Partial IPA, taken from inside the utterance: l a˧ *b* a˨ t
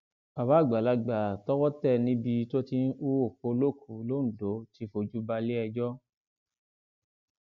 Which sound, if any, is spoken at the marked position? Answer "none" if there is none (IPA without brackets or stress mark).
ɡ͡b